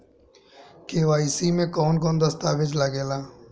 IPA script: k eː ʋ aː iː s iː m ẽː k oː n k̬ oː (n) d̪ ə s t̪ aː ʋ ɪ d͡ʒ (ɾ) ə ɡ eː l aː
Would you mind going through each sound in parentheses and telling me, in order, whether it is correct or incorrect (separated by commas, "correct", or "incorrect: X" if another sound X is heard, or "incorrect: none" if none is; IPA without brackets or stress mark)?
correct, incorrect: l